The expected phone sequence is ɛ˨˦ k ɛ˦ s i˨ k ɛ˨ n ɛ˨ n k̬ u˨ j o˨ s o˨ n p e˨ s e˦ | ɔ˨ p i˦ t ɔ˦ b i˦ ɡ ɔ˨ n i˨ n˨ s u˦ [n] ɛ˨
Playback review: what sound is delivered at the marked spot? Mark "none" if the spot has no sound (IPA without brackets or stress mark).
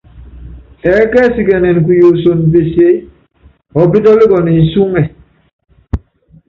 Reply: ŋ